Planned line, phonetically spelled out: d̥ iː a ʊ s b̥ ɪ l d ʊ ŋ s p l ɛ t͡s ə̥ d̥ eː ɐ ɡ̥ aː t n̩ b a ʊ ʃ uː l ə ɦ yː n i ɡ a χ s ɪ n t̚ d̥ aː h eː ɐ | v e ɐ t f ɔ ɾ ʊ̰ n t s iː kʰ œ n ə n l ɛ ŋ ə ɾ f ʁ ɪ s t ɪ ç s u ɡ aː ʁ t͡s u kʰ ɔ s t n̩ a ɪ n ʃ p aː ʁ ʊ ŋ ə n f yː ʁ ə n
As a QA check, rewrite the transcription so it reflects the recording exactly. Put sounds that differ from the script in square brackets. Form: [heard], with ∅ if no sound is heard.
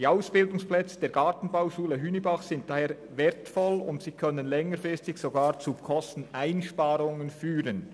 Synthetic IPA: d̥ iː a ʊ s b̥ ɪ l d ʊ ŋ s p l ɛ t͡s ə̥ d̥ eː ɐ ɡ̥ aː t n̩ b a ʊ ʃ uː l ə ɦ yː n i [b] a χ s ɪ n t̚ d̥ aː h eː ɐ | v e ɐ t f ɔ [l] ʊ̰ n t s iː kʰ œ n ə n l ɛ ŋ ə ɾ f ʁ ɪ s t ɪ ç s [o] ɡ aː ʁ t͡s u kʰ ɔ s t n̩ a ɪ n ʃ p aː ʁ ʊ ŋ ə n f yː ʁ ə n